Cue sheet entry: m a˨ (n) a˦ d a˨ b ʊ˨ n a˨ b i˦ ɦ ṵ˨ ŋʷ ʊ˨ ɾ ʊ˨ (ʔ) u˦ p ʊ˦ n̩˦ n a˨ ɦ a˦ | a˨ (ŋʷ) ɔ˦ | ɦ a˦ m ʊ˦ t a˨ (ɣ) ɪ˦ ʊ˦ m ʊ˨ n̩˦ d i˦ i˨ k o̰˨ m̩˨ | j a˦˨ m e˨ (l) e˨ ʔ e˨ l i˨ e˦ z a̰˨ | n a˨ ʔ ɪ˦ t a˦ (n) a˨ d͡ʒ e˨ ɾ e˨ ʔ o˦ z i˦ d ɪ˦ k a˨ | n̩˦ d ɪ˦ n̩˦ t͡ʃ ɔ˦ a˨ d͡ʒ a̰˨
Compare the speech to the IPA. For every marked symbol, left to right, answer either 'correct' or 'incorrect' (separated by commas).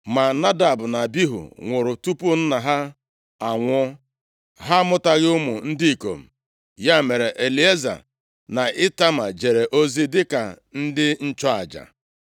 correct, incorrect, correct, correct, incorrect, incorrect